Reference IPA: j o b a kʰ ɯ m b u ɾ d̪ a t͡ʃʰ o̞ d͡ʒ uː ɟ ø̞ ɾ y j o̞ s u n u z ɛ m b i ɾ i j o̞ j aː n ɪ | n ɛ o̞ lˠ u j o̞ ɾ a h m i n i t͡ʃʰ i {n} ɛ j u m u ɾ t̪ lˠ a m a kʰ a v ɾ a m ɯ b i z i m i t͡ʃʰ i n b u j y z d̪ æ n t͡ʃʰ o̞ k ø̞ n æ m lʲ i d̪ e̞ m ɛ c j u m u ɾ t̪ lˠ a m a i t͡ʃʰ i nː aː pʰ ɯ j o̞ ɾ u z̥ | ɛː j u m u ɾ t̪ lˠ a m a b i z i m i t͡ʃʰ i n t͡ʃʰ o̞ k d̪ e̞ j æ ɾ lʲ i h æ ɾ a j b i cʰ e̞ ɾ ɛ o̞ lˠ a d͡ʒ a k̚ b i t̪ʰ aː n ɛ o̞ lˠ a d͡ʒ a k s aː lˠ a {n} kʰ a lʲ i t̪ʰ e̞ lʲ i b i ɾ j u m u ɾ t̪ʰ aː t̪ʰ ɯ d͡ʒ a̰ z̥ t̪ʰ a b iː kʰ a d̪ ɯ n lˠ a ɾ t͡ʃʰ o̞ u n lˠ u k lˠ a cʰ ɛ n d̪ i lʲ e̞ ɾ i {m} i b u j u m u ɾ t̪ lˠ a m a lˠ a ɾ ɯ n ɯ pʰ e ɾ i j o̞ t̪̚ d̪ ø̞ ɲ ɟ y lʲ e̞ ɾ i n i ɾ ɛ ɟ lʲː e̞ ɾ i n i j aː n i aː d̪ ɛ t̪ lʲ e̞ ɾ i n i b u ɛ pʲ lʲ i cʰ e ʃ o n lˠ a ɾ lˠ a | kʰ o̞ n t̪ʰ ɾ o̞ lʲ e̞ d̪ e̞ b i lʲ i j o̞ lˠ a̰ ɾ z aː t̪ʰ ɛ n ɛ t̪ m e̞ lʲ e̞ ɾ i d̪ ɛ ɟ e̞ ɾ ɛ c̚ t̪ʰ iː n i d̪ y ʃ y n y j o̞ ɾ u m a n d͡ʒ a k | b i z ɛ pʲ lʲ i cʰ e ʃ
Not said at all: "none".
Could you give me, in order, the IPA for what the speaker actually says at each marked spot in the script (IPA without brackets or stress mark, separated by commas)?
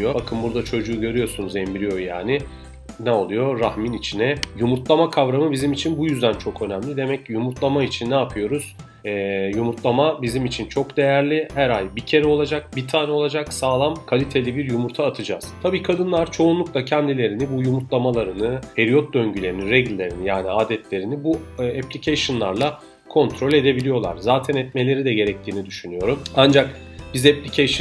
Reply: n, m, n